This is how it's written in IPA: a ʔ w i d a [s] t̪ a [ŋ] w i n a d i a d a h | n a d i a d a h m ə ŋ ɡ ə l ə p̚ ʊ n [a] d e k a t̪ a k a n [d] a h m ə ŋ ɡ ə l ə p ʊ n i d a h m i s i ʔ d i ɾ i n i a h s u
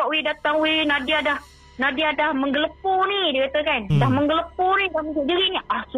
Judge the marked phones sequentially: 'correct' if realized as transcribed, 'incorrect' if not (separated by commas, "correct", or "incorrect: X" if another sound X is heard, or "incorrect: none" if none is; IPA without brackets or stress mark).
incorrect: none, correct, incorrect: i, correct